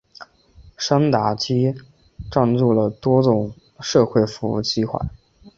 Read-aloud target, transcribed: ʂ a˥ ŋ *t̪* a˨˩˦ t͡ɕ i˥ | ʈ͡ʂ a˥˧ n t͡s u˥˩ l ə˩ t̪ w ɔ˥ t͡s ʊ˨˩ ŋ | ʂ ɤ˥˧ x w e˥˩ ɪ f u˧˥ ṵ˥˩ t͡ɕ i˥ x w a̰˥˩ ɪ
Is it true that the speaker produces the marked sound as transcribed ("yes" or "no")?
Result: yes